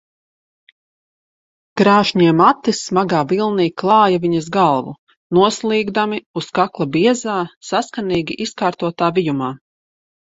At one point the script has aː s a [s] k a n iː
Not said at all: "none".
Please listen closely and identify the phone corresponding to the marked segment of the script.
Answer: s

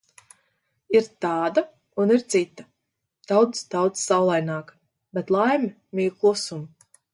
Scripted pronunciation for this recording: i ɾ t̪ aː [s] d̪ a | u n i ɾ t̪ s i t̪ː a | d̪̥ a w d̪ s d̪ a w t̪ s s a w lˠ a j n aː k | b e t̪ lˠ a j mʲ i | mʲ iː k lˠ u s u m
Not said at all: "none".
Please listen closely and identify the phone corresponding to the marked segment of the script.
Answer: none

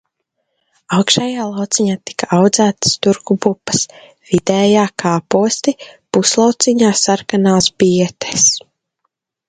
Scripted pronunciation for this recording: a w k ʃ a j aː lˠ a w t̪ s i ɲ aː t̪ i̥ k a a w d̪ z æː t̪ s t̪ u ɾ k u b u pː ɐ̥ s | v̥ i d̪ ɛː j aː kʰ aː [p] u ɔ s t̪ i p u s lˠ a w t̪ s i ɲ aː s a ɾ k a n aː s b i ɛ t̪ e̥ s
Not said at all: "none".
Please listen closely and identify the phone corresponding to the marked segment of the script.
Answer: p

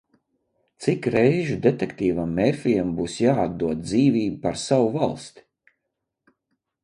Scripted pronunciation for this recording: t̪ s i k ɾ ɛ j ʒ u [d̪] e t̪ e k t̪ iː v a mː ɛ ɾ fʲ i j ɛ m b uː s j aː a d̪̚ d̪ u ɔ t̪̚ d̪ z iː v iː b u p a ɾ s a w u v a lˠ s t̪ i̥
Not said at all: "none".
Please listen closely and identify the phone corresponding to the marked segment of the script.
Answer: d̪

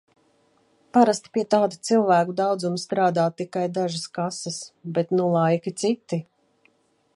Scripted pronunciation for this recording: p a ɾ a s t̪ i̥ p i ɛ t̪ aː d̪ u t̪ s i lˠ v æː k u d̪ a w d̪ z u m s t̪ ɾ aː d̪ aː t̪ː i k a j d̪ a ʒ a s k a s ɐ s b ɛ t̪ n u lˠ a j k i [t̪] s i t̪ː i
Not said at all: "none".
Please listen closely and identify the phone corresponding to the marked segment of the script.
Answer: t̪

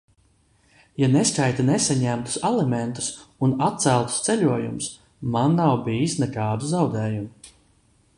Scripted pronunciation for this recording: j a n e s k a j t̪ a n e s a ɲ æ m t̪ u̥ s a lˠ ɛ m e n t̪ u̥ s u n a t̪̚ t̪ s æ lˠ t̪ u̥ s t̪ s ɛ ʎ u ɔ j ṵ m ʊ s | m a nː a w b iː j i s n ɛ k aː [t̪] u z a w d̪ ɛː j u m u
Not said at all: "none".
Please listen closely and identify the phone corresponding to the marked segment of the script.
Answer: d̪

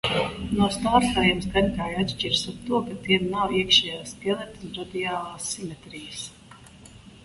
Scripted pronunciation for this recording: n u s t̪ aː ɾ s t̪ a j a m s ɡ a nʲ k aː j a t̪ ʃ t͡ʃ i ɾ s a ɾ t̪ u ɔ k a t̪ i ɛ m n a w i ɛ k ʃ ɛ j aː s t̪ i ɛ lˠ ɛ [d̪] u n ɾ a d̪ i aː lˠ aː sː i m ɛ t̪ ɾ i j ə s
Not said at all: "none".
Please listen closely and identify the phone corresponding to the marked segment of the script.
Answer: t̪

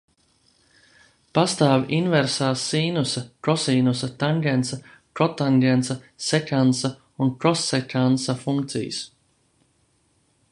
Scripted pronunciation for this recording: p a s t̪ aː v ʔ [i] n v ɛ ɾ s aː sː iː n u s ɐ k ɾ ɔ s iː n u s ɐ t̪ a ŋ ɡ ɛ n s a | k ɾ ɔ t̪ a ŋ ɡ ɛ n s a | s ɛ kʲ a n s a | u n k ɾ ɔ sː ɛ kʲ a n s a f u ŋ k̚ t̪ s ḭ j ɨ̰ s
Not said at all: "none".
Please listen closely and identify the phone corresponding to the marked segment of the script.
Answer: i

